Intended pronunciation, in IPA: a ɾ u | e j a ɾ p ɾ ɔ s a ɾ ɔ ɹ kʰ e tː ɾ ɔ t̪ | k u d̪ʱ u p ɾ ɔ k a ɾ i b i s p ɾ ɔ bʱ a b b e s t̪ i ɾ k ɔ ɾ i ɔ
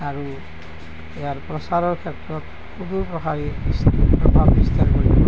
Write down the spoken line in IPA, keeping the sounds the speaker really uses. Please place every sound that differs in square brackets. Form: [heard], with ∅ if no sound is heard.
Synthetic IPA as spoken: a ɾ u | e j a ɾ p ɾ ɔ s a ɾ ɔ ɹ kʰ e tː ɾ ɔ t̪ | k u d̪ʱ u p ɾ ɔ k a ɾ i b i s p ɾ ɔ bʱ a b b [i] s t̪ [a] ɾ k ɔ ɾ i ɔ